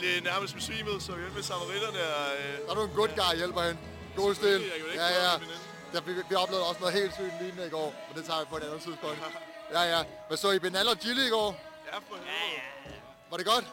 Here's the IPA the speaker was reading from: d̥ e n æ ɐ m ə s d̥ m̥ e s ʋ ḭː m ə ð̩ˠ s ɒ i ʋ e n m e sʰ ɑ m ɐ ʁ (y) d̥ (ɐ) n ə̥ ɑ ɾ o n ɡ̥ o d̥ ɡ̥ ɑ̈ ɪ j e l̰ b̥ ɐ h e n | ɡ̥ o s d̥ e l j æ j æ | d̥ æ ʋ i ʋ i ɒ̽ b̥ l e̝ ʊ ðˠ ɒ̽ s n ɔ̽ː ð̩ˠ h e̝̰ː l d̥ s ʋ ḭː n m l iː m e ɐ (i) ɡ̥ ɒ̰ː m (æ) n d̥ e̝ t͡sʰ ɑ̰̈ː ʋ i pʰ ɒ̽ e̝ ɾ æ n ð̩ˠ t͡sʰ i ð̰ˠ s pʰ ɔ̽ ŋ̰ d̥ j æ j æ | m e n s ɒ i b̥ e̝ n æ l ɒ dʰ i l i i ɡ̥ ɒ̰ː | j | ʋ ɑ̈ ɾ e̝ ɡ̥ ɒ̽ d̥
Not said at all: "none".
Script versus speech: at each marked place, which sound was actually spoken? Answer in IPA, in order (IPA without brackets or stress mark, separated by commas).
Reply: i, ɐ, i, e